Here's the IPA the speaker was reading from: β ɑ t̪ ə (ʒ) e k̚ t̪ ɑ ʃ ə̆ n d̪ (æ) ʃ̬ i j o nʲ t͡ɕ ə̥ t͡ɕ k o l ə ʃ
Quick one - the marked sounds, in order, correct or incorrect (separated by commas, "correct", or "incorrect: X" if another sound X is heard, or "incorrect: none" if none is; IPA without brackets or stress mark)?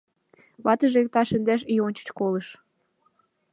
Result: correct, correct